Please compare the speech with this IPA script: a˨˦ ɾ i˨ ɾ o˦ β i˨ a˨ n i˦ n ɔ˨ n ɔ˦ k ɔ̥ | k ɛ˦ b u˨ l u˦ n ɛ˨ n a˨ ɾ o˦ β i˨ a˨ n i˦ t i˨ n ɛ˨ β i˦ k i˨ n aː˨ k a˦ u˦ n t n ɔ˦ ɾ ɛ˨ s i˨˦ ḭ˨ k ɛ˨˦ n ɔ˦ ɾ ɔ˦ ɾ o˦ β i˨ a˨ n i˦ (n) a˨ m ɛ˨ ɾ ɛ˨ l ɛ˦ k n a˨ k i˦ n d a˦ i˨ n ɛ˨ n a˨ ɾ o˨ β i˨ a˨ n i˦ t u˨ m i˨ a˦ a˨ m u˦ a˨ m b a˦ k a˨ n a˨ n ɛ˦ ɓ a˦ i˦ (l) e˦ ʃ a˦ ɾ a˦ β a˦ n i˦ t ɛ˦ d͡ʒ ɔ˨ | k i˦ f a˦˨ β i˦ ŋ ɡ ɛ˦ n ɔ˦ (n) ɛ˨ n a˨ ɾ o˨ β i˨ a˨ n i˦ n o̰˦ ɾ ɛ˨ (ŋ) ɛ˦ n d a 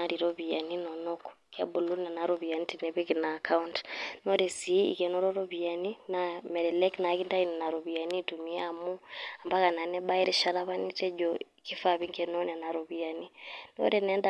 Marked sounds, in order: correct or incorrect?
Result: correct, incorrect: ɾ, correct, incorrect: n

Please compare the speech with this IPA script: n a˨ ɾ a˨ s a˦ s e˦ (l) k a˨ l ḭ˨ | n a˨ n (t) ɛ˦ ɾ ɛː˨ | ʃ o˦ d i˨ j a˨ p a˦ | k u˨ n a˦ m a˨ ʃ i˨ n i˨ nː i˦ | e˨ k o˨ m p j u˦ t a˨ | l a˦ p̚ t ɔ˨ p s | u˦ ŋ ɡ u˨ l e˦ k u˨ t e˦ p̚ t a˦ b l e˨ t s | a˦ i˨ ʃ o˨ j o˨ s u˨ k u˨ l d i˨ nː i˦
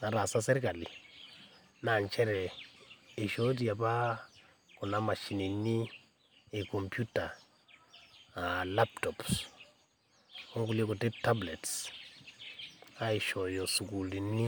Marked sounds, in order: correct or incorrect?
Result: incorrect: ɾ, incorrect: t͡ʃ

